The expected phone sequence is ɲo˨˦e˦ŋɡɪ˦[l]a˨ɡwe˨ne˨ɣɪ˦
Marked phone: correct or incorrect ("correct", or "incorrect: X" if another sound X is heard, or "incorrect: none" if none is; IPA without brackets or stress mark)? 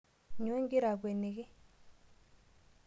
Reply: incorrect: ɾ